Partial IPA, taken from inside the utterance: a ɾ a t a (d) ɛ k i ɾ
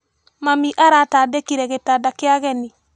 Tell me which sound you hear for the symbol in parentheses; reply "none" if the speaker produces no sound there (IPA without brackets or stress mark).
d